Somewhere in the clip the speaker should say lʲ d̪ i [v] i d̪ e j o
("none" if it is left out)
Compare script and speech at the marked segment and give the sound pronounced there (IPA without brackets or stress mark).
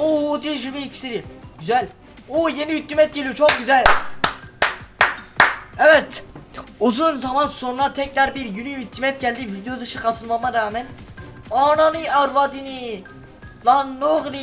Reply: v